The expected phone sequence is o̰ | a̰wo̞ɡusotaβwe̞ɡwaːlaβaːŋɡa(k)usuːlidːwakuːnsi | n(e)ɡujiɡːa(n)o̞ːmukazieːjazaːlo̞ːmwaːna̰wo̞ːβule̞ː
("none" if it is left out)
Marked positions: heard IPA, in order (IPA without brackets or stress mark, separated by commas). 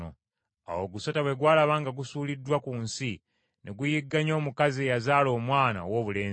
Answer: ɡ, e, ɲ